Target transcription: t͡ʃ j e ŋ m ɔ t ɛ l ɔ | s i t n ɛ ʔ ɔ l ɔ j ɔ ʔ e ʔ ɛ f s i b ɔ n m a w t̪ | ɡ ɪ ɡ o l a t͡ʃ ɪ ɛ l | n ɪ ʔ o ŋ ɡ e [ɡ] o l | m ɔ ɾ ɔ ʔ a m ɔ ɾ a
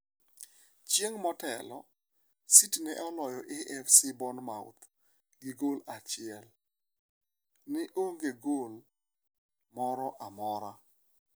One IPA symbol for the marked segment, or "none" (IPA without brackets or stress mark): ɡ